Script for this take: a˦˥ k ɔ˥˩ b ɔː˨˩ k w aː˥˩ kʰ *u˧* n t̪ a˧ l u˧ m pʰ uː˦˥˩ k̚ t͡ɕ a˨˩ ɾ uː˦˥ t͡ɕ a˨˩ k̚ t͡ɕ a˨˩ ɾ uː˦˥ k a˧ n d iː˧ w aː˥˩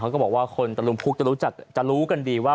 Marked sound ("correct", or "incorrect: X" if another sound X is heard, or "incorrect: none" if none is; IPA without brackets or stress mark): incorrect: o˧